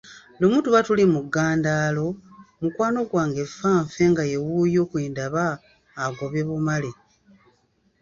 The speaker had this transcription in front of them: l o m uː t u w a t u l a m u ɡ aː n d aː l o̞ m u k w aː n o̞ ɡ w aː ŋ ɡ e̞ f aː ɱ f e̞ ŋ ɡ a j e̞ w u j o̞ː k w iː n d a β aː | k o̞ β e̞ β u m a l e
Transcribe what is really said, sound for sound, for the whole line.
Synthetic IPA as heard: l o m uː t u β a t u l i m u ɡ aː n d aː l o̞ m u k w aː n o̞ ɡ w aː ŋ ɡ e̞ f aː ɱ f e̞ ŋ ɡ a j e̞ w u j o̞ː k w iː n d a β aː | ɡ o̞ β e̞ β u m a l e

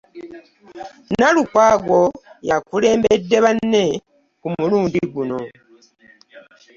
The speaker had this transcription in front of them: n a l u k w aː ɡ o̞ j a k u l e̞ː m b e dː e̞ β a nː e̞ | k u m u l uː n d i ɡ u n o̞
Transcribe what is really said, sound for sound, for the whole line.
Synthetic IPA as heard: n a l u k w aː ɡ o̞ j a k u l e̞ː m b e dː e̞ β a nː e̞ | k u m u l uː n d i ɡ u n o̞

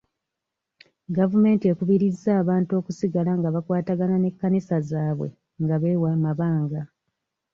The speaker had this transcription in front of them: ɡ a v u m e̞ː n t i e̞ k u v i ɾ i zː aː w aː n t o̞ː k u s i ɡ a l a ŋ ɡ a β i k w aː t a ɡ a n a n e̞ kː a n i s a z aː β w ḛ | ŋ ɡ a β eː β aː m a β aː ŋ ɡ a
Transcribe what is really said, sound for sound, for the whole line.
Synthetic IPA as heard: ɡ a v u m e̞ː n t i e̞ k u β i ɾ i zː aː β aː n t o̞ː k u s i ɡ a l a ŋ ɡ a β a k w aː t a ɡ a n a n e̞ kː a n i s a z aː β w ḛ | ŋ ɡ a β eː w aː m a β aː ŋ ɡ a

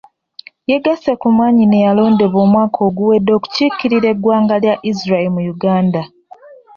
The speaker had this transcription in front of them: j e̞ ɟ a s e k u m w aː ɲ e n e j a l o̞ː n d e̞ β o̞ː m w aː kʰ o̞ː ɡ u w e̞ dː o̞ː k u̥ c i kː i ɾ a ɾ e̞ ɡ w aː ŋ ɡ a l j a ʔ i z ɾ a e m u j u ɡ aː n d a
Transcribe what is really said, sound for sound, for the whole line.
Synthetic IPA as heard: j e̞ ɡ a s e k u m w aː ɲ i n e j a l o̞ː n d e̞ β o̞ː m w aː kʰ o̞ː ɡ u w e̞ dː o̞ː k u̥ c i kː i ɾ i ɾ e̞ ɡ w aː ŋ ɡ a l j a ʔ i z ɾ a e m u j u ɡ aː n d a

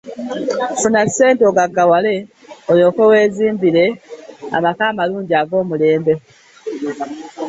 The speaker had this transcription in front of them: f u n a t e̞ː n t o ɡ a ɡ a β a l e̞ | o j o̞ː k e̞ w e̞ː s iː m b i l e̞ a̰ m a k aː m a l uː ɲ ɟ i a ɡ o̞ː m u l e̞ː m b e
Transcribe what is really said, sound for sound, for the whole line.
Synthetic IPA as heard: f u n a s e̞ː n t o ɡ a ɡ a w a l e̞ | o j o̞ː k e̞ w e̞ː z iː m b i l e̞ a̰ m a k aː m a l uː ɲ ɟ i a ɡ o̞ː m u l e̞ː m b e

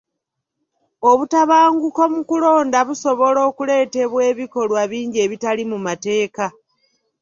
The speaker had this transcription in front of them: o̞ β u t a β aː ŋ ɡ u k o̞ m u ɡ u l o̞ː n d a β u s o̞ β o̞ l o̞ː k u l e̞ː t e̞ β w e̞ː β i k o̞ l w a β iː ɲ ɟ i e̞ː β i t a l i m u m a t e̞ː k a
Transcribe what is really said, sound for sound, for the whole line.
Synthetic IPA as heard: o̞ β u t a β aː ŋ ɡ u k o̞ m u k u l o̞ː n d a β u s o̞ β o̞ l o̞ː k u l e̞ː t e̞ β w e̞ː β i k o̞ l w a β iː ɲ ɟ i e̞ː β i t a l i m u m a t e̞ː k a

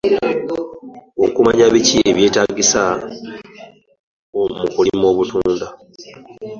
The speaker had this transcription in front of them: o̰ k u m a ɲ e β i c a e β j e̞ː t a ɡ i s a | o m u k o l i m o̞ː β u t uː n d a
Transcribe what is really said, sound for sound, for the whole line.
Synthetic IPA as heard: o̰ k u m a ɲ a β i c i e β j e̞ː t a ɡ i s a | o m u k u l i m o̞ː β u t uː n d a

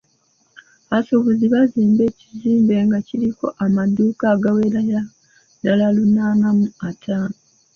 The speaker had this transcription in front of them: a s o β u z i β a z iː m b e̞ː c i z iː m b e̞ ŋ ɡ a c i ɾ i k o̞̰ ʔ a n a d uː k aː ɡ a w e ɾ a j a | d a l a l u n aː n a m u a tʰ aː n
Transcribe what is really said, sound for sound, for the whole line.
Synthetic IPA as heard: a s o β u z i β a z iː m b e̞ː c i z iː m b e̞ ŋ ɡ a c i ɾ i k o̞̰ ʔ a m a d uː k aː ɡ a w e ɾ a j a | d a l a l u n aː n a m u a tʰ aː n

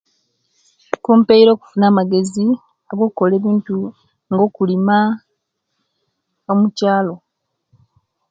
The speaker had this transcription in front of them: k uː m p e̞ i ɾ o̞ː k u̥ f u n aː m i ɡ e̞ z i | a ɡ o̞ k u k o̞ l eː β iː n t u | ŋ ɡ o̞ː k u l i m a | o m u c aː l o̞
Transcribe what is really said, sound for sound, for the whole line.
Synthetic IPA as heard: k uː m p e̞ i ɾ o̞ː k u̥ f u n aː m a ɡ e̞ z i | a ɡ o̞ k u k o̞ l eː β iː n t u | ŋ ɡ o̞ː k u l i m a | o m u c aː l o̞

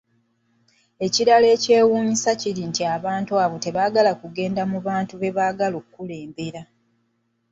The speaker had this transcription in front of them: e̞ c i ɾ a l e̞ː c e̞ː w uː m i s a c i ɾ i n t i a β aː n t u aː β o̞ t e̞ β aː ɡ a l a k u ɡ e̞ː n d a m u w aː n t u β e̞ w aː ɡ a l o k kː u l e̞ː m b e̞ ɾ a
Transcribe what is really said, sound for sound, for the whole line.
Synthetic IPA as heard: e̞ c i ɾ a l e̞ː c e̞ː w uː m i s a c i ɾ i n t i a β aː n t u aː β o̞ t e̞ β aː ɡ a l a k u ɡ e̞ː n d a m u β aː n t u β e̞ β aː ɡ a l o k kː u l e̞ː m b e̞ ɾ a

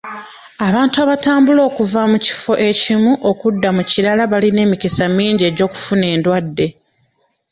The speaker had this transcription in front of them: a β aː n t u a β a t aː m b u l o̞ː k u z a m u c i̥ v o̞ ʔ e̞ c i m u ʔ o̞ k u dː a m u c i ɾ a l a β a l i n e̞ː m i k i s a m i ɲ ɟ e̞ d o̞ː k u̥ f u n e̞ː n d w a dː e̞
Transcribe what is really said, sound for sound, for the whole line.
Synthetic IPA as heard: a β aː n t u a β a t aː m b u l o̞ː k u v a m u c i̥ f o̞ ʔ e̞ c i m u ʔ o̞ k u dː a m u c i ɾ a l a β a l i n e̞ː m i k i s a m iː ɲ ɟ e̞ ɟ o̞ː k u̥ f u n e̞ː n d w a dː e̞

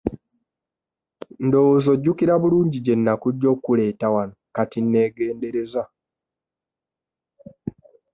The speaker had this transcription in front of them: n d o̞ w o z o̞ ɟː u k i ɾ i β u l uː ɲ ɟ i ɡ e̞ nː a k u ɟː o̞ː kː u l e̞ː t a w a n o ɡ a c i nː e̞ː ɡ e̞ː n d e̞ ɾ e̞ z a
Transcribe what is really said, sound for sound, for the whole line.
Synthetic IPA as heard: n d o̞ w o z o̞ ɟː u k i ɾ a β u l uː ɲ ɟ i ɟ e̞ nː a k u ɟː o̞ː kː u l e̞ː t a w a n o k a t i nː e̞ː ɡ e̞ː n d e̞ ɾ e̞ z a

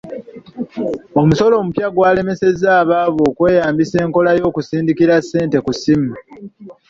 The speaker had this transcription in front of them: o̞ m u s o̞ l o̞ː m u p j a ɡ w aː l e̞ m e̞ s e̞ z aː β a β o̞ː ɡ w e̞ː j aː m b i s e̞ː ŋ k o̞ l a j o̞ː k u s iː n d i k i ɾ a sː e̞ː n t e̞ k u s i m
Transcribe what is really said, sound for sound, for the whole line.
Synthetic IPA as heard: o̞ m u s o̞ l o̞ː m u p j a ɡ w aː l e̞ m e̞ s e̞ z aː β a β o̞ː k w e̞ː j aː m b i s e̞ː ŋ k o̞ l a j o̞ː k u s iː n d i k i ɾ a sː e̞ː n t e̞ k u s i m

